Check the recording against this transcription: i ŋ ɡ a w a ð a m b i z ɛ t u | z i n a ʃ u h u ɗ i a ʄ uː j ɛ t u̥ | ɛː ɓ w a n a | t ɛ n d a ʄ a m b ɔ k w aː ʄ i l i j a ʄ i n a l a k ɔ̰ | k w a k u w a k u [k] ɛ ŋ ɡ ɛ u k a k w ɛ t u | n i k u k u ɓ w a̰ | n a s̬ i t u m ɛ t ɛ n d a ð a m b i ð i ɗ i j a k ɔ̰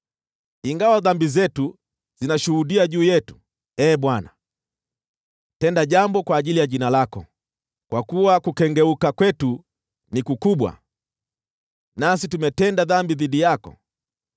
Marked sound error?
no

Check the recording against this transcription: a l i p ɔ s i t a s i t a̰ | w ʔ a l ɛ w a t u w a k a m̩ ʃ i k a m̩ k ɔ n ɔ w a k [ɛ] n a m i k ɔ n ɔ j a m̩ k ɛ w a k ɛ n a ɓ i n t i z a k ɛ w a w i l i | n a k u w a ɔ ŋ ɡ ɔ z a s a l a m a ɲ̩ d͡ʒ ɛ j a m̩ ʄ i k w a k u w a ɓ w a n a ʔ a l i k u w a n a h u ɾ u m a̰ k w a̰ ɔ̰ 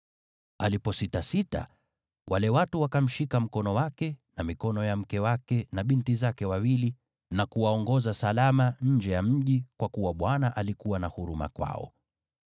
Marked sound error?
no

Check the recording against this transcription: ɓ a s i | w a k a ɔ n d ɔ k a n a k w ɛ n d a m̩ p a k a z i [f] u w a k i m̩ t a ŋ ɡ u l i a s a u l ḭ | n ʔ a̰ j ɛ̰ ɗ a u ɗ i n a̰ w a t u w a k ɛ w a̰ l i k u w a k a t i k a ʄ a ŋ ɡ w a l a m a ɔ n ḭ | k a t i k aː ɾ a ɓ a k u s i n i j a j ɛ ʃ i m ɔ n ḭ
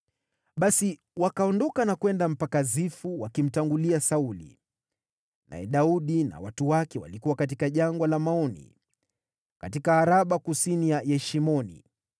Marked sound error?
no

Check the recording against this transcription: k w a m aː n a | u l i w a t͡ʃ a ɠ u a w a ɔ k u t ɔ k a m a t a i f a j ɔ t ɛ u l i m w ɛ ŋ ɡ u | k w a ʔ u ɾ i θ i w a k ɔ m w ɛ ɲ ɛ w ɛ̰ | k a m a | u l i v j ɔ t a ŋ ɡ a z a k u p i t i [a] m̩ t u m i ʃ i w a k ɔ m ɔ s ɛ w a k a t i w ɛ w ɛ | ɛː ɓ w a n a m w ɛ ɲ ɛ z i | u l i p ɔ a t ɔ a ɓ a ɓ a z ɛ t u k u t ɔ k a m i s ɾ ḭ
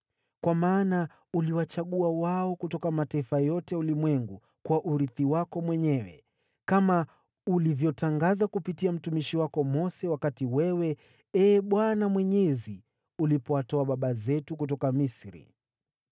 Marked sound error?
no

